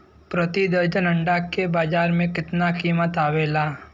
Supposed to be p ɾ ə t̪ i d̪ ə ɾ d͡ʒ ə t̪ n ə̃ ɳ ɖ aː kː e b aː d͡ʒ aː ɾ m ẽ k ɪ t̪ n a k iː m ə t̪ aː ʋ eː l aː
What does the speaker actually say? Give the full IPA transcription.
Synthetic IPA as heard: p ɾ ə t̪ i d̪ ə ɾ d͡ʒ ə n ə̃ ɳ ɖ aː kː e b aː d͡ʒ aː ɾ m ẽ k ɪ t̪ n a k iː m ə t̪ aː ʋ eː l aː